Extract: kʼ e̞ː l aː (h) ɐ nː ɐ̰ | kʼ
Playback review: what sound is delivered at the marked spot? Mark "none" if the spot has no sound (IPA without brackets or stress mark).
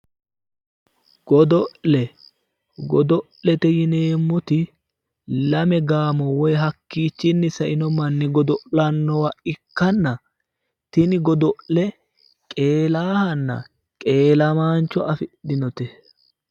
h